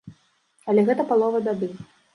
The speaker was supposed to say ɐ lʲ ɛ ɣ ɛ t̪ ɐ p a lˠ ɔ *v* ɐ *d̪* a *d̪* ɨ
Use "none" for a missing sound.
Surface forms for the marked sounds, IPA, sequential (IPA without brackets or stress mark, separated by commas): v, d̪, d̪